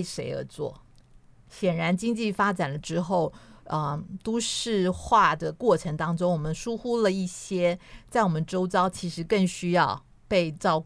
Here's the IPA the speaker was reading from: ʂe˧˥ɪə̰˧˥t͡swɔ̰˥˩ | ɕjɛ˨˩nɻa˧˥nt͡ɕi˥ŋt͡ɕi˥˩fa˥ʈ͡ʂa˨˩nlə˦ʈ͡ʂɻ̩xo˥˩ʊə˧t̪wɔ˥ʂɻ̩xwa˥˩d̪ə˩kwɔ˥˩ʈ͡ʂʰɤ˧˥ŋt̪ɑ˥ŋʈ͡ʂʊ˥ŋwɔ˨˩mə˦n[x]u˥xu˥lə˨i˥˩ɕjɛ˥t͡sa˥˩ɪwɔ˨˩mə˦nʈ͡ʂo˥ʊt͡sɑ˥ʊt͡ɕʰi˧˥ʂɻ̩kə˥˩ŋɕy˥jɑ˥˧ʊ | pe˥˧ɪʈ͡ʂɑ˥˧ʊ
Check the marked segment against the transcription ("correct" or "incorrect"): incorrect